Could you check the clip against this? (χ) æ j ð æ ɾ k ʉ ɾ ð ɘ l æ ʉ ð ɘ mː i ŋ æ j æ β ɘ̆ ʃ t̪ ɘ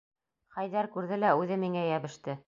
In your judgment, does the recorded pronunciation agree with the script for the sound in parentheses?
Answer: yes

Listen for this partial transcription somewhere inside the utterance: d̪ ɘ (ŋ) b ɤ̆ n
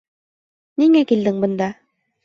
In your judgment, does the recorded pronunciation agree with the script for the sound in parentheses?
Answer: yes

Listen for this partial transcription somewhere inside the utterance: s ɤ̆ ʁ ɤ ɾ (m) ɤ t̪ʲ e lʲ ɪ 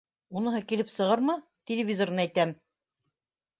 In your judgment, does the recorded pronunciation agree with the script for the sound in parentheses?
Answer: yes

